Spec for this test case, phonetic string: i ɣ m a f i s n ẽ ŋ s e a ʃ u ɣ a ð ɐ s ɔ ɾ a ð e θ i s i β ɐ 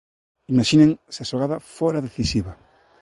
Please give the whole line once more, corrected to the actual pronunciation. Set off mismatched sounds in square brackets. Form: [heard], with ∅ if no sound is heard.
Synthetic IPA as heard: i [∅] m a [ʃ] i [∅] n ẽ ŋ s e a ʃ [o] ɣ a ð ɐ [f] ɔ ɾ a ð e θ i s i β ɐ